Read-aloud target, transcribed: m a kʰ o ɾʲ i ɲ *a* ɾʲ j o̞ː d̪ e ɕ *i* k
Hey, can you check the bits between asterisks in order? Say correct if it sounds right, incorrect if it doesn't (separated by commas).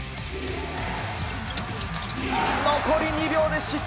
incorrect, correct